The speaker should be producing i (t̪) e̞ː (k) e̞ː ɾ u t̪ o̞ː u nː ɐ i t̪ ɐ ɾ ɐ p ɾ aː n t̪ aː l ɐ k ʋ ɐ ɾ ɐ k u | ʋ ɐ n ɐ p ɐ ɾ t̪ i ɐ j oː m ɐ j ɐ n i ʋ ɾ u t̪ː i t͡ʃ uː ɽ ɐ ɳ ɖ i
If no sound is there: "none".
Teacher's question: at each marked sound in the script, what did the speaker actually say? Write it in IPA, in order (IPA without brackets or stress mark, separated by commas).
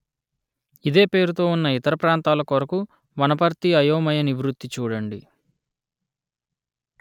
d̪, p